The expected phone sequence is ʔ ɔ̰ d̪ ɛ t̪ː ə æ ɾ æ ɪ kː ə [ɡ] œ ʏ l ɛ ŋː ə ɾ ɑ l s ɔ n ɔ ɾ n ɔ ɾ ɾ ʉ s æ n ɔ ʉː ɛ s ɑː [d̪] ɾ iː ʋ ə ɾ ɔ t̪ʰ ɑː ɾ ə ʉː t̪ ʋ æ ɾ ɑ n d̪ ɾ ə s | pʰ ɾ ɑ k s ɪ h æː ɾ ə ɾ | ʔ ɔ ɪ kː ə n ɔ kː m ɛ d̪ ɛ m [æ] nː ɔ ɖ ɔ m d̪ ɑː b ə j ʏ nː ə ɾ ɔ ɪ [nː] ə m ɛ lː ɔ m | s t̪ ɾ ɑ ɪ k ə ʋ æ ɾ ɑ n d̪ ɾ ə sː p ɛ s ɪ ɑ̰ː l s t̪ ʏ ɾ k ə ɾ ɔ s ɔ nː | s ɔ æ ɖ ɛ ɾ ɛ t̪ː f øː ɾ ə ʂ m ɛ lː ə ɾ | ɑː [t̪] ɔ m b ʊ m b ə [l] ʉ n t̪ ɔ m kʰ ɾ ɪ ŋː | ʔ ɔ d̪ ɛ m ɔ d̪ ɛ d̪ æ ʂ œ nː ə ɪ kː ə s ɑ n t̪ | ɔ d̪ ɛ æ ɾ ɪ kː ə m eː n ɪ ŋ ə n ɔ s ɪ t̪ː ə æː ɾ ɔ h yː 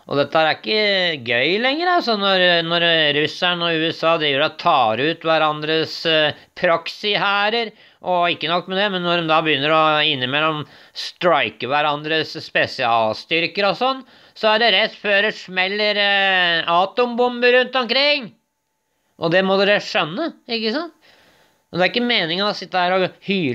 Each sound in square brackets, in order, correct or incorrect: correct, correct, incorrect, correct, correct, incorrect

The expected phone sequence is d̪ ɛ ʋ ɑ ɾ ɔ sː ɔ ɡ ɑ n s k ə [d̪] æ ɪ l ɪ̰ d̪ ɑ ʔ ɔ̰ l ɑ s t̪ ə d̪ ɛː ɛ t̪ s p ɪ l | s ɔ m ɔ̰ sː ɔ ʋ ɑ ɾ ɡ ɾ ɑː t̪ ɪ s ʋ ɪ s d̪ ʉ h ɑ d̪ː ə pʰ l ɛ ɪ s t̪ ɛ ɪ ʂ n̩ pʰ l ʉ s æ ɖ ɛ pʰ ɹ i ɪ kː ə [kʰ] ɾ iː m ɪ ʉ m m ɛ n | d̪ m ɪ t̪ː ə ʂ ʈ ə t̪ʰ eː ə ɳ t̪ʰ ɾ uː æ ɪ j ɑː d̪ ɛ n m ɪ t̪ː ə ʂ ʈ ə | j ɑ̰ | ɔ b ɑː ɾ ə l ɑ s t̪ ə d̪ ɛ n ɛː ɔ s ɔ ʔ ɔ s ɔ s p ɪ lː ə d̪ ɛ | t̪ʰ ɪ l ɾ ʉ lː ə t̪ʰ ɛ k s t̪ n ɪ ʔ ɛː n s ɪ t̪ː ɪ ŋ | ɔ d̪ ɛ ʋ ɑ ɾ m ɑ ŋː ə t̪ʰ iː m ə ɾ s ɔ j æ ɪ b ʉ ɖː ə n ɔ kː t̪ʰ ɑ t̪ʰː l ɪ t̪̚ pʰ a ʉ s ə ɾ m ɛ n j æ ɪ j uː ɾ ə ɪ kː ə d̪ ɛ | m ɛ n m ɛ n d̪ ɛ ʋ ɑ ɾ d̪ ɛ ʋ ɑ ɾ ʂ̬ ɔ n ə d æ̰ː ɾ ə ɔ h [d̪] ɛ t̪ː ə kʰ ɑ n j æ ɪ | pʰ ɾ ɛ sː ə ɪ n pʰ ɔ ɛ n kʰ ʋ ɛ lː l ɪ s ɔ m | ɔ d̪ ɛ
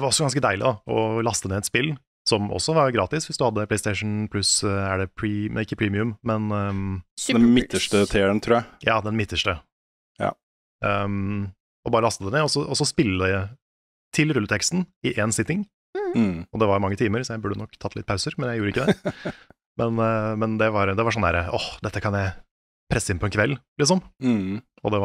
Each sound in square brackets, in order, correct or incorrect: correct, incorrect, correct

